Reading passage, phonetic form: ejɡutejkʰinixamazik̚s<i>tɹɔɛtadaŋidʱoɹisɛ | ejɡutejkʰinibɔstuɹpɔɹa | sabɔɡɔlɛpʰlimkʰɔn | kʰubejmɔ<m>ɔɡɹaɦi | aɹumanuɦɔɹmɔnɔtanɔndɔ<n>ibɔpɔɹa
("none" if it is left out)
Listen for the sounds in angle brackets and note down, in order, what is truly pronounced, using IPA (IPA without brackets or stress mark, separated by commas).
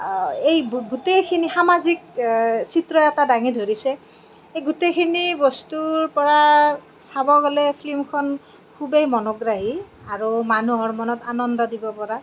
i, n, d